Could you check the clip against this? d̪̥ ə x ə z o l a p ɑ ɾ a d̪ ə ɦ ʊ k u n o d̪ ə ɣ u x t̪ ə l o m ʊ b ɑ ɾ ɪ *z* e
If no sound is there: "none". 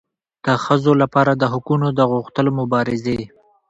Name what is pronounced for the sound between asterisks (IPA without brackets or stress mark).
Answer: z